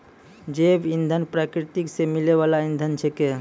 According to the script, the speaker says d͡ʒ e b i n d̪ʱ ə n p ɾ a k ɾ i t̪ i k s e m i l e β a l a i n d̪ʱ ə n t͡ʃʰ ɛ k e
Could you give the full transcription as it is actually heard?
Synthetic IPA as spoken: d͡ʒ e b i n d̪ʱ ə n p ɾ a k ɾ i t̪ i k s e m i l e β a l a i n d̪ʱ ə n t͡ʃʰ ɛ k e